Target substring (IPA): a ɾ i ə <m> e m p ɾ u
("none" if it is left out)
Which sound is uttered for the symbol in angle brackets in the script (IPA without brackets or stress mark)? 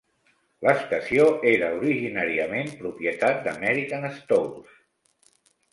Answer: m